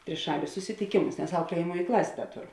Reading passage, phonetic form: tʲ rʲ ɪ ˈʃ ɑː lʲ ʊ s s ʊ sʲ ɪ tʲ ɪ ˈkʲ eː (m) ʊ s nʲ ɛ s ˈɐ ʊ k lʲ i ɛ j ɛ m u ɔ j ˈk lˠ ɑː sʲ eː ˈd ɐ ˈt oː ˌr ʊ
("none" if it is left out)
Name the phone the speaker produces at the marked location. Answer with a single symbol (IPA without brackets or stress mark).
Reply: m